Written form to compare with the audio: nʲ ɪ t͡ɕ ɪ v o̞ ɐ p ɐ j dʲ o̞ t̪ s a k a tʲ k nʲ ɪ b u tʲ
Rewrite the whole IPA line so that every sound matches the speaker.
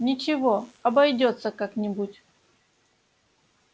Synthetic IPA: nʲ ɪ t͡ɕ ɪ v o̞ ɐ b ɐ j dʲ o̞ t̪ s ə k a k nʲ ɪ b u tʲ